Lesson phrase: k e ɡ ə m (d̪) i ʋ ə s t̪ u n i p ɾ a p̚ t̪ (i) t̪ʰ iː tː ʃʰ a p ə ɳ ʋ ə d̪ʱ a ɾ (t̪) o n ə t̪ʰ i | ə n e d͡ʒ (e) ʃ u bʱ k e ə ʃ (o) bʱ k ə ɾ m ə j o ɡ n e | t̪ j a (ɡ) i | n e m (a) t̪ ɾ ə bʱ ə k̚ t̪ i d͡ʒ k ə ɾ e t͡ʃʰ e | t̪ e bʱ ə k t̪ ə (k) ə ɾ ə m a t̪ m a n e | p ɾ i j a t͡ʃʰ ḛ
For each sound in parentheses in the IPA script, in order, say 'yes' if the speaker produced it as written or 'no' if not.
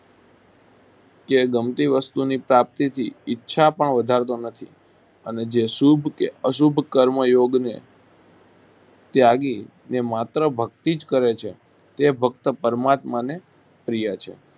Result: no, yes, yes, yes, no, yes, yes, no

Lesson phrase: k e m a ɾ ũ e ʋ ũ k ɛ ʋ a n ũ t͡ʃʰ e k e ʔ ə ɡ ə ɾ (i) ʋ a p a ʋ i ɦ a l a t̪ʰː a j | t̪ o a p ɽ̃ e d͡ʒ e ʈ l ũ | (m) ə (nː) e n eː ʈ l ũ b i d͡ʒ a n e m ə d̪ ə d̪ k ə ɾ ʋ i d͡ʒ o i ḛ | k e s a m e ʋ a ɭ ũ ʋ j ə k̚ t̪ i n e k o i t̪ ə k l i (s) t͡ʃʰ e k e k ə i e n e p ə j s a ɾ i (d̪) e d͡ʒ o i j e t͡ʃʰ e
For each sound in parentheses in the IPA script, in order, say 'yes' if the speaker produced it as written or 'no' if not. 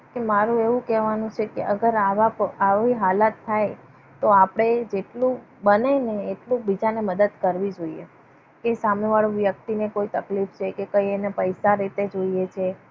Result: no, no, no, no, no

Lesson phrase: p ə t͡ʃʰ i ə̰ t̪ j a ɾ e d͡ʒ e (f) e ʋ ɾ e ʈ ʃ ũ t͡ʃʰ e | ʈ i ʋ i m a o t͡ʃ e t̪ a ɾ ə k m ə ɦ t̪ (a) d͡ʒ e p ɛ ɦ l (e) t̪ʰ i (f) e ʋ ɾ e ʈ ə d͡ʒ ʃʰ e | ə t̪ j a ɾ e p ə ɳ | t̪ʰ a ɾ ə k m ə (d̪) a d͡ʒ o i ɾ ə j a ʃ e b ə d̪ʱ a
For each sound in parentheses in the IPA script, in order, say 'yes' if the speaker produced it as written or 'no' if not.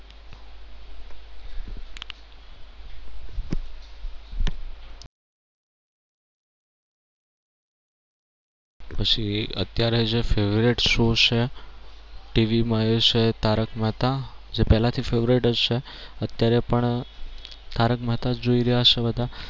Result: yes, yes, no, yes, no

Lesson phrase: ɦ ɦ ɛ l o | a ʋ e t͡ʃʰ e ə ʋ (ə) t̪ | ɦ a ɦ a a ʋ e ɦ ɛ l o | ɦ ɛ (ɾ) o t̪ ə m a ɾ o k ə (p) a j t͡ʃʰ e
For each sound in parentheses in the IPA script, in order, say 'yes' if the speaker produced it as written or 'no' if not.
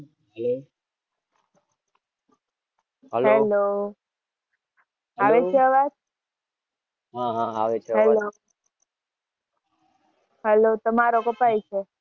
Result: no, no, yes

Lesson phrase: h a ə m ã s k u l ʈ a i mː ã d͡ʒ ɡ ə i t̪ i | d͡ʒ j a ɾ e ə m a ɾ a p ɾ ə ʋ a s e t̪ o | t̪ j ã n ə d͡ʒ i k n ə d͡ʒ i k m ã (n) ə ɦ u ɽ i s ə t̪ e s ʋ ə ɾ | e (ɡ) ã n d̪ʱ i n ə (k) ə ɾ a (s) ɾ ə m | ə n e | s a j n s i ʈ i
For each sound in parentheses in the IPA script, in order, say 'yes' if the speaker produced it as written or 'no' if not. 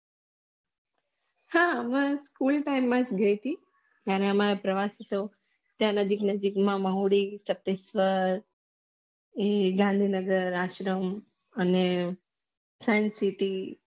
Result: no, yes, no, no

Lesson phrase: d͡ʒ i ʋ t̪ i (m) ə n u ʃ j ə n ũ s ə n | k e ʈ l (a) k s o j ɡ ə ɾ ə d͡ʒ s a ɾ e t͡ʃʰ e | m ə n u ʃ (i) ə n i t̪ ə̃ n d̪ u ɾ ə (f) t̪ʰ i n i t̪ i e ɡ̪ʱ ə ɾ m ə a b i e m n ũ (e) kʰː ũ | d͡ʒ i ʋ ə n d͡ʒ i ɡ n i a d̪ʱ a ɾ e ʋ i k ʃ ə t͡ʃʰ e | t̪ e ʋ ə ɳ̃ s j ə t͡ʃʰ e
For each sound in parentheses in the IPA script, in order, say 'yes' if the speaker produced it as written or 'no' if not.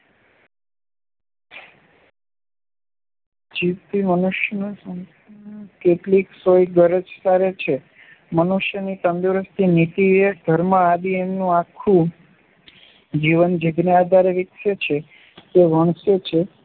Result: yes, no, no, no, no

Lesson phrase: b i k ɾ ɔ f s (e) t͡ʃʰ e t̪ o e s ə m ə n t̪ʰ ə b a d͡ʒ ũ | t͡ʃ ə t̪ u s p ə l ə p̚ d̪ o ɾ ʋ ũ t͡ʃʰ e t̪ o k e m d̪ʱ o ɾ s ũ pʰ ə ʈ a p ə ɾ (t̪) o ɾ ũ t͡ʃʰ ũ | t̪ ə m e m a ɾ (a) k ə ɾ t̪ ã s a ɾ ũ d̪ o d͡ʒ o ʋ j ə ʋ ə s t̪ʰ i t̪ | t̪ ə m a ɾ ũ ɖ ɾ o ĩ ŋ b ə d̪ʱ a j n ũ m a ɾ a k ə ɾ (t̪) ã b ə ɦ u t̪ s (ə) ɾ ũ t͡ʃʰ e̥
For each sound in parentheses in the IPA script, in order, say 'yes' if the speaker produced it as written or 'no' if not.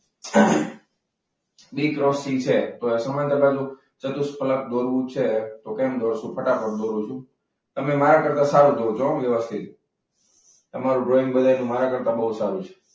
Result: no, no, yes, yes, no

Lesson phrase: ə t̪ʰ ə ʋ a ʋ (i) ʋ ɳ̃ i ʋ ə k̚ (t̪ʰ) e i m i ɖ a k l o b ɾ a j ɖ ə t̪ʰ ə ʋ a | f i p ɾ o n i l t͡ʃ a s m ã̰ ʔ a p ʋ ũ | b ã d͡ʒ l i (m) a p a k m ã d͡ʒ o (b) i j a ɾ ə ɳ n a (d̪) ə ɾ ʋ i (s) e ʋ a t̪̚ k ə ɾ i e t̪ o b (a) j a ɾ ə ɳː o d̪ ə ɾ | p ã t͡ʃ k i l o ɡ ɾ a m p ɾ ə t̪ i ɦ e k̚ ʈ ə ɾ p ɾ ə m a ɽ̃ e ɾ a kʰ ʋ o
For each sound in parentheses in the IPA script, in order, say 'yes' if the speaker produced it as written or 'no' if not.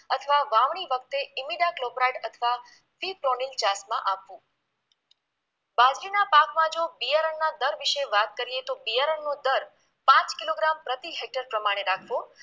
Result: no, no, no, yes, yes, no, no

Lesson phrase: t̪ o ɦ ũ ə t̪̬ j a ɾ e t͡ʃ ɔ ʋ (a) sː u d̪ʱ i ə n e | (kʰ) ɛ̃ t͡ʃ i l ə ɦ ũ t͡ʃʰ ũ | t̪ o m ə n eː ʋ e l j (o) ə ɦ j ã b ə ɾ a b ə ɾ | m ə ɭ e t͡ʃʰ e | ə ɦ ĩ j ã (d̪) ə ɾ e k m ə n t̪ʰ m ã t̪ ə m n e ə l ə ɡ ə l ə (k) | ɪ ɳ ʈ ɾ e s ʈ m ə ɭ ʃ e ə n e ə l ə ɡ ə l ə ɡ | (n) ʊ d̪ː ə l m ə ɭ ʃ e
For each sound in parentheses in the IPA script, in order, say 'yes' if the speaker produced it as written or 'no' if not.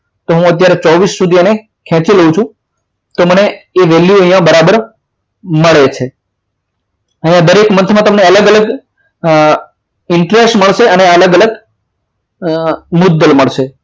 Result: no, yes, no, yes, no, no

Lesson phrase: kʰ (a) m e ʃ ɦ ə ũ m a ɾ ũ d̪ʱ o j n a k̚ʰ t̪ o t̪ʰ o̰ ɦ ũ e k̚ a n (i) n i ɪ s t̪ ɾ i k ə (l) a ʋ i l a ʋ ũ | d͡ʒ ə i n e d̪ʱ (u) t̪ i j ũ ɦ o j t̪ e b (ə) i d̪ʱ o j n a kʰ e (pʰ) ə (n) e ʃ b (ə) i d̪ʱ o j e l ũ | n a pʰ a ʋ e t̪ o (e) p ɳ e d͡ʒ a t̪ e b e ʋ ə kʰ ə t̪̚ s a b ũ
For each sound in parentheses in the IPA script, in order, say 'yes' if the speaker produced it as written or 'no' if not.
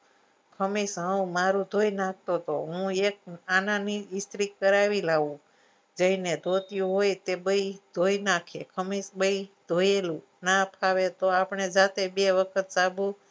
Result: no, no, no, no, yes, no, no, yes, no

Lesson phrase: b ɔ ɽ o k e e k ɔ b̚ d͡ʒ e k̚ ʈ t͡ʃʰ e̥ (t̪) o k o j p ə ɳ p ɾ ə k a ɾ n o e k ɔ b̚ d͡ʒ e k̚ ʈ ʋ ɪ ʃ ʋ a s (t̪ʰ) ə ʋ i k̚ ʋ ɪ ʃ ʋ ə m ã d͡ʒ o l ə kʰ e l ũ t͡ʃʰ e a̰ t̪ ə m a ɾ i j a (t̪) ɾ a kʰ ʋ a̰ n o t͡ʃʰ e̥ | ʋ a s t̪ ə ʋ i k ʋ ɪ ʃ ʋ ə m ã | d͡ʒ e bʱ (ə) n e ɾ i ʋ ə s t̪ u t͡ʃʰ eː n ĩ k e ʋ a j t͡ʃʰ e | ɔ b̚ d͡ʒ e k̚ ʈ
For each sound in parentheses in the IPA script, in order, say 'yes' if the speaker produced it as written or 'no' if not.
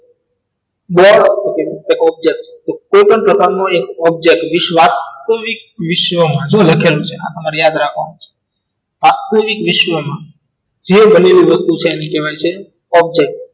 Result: yes, no, no, yes

